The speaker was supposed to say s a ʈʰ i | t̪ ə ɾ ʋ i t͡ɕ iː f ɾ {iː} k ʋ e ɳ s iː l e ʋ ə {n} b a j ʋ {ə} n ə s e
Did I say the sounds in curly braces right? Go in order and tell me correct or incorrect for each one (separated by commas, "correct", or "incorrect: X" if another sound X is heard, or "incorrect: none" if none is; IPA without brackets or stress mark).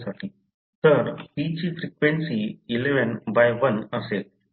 incorrect: i, correct, correct